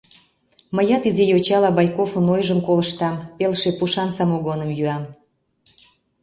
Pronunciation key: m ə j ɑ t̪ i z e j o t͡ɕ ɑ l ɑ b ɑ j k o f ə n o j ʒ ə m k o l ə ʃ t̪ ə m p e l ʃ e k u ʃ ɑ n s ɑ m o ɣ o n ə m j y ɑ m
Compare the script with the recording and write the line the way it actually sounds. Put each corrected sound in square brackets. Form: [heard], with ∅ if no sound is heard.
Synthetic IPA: m ə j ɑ t̪ i z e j o t͡ɕ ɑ l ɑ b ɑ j k o f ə n o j ʒ ə m k o l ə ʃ t̪ [ɑ] m p e l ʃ e [p] u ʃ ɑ n s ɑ m o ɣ o n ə m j y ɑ m